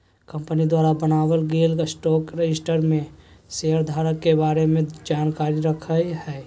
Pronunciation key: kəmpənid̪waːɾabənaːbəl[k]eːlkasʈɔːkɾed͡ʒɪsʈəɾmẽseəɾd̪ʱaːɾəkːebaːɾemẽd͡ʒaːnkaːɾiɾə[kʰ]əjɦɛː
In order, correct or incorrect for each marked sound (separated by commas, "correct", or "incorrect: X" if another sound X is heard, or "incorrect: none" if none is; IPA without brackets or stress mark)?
incorrect: ɡ, correct